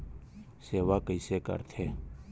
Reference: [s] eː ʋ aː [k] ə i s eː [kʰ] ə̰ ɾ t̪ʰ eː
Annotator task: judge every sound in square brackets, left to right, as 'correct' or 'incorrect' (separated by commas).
correct, correct, incorrect